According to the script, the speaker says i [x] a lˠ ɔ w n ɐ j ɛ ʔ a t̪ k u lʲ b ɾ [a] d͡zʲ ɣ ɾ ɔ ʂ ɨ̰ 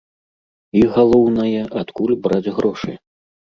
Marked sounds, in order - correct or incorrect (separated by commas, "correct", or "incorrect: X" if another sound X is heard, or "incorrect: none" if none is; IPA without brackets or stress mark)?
incorrect: ɣ, correct